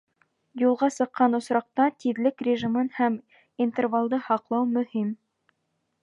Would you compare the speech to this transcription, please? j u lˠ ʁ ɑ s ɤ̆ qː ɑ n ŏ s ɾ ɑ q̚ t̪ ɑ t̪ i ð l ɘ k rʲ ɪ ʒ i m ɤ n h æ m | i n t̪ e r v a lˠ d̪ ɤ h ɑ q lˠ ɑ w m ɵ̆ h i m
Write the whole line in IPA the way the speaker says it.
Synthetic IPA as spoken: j u lˠ ʁ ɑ s ɤ̆ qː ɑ n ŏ s ɾ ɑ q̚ t̪ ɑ t̪ i ð l ɘ k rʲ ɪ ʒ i m ɤ n h æ m | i n t̪ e r v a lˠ d̪ ɤ h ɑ q lˠ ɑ w m ɵ̆ h i m